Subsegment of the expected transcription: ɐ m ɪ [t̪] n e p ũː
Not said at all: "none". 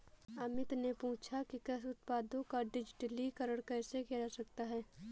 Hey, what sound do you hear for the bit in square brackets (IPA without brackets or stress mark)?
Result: t̪